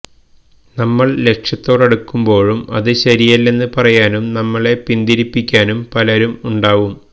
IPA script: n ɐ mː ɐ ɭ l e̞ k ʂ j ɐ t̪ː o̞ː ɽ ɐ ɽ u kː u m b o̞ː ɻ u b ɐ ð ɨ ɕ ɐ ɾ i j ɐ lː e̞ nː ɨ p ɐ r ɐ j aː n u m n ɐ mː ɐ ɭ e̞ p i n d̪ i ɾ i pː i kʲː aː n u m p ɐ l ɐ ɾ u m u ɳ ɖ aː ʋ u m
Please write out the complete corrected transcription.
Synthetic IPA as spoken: n ɐ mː ɐ ɭ l e̞ k ʂ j ɐ t̪ː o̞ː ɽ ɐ ɽ u kː u m b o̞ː ɻ u m ɐ ð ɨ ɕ ɐ ɾ i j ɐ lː e̞ nː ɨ p ɐ r ɐ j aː n u m n ɐ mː ɐ ɭ e̞ p i n d̪ i ɾ i pː i kʲː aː n u m p ɐ l ɐ ɾ u m u ɳ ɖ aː ʋ u m